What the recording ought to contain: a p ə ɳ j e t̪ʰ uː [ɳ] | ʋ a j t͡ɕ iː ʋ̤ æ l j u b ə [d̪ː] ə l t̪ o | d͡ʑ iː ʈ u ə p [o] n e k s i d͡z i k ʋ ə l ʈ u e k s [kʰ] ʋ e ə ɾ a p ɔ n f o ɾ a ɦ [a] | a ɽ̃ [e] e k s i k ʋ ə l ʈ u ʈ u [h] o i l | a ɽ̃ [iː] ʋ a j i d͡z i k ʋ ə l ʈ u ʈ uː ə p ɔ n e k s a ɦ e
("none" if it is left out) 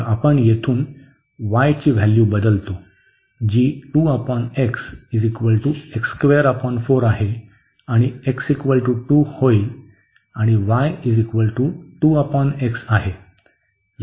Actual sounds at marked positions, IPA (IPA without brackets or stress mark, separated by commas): n, d̪, ɔ, k, e, i, h, i